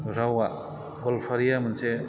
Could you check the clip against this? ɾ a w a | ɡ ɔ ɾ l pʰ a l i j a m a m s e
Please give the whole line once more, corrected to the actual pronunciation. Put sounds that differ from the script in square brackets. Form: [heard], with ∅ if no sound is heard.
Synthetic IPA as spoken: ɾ a w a | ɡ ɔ [∅] l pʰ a [ɾ] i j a m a [n] s e